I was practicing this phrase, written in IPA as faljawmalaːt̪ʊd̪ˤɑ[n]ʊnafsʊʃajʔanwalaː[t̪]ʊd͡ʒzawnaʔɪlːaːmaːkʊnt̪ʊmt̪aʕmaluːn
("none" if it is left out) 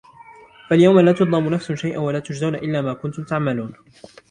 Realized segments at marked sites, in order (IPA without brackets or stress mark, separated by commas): m, t̪